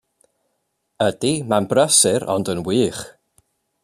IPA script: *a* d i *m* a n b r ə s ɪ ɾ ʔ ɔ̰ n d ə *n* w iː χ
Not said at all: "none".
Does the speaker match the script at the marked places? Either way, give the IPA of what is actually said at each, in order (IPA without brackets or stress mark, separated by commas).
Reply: ə, m, n